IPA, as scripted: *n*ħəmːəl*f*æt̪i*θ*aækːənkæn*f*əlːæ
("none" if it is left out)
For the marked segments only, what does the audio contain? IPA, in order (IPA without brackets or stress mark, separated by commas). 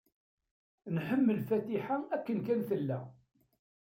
n, f, ħ, θ